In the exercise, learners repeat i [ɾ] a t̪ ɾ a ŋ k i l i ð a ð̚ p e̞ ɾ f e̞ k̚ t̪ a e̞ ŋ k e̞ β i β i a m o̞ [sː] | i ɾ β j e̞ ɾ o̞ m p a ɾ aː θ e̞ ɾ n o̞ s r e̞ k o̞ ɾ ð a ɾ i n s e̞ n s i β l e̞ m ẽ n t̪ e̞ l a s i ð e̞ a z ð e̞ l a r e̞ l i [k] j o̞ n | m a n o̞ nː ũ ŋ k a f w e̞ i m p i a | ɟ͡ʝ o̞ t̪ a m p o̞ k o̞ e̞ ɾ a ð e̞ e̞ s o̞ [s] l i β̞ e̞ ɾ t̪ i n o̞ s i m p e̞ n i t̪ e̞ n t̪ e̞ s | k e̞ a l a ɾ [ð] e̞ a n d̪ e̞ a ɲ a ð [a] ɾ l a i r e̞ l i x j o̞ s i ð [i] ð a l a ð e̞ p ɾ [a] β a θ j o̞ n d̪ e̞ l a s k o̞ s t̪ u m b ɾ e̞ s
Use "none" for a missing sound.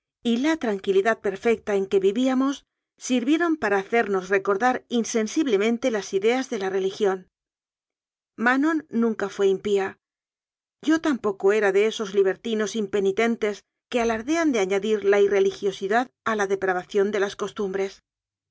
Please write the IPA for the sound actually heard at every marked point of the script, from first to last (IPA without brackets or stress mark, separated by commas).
l, sː, x, z, ð, i, a, a